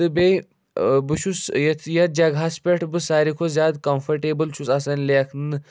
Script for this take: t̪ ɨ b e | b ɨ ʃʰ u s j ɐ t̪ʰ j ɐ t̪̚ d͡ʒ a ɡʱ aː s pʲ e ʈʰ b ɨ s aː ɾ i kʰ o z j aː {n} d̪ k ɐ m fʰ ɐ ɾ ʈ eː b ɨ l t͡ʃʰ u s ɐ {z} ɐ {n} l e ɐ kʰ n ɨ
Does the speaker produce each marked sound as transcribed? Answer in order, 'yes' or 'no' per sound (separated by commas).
no, no, yes